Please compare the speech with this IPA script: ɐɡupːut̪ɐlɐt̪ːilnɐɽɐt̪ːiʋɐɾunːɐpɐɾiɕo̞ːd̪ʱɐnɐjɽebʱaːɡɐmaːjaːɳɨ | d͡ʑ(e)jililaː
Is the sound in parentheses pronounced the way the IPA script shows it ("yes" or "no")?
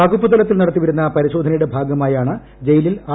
yes